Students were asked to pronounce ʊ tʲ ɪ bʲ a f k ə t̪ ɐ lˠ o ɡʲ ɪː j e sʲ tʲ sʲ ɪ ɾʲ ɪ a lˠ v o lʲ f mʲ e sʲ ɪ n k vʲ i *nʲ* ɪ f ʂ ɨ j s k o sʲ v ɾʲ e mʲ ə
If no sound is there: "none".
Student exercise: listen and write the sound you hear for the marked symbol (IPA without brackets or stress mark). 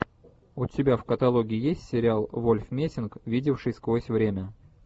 dʲ